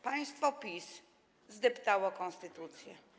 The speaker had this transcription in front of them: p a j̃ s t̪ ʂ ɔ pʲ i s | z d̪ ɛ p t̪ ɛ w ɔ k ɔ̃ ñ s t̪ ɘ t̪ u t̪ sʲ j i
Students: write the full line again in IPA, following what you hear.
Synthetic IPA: p a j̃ s t̪ f ɔ pʲ i s | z d̪ ɛ p t̪ a w ɔ k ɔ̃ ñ s t̪ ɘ t̪ u t̪ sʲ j ɛ